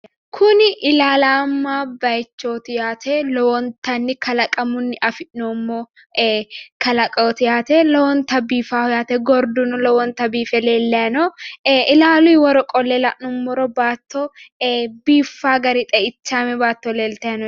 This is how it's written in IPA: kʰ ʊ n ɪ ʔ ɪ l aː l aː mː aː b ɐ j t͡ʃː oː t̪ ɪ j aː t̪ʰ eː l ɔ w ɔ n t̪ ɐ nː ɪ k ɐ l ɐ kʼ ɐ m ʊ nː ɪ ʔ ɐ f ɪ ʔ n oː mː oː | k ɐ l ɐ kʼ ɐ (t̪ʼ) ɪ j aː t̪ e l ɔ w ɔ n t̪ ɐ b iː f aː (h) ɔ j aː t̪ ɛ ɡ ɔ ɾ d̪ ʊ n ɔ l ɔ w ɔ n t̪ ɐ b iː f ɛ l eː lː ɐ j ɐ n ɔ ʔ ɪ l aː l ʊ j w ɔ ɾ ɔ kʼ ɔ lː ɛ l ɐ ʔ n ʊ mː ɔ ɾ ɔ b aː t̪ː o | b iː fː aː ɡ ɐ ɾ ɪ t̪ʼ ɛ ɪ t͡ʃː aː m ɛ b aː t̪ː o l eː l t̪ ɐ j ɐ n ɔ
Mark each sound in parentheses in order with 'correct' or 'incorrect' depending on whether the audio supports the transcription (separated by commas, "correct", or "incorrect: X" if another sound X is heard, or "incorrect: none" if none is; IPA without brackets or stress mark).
incorrect: t̪, correct